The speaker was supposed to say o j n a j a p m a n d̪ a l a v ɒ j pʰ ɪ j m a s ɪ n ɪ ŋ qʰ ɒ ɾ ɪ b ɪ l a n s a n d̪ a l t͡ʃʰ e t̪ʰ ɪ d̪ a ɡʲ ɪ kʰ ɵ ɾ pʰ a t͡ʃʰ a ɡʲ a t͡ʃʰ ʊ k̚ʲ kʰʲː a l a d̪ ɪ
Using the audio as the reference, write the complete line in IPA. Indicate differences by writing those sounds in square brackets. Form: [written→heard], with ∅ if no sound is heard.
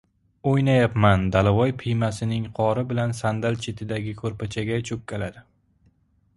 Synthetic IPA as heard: o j n a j a p m a n d̪ a l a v ɒ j pʰ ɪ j m a s ɪ n ɪ ŋ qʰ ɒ ɾ ɪ b ɪ l a n s a n d̪ a l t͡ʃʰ e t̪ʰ ɪ d̪ a ɡʲ ɪ kʰ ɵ ɾ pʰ a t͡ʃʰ a ɡʲ a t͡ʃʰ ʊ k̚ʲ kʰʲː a l a d̪ ɪ